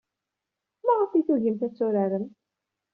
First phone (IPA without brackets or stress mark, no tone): m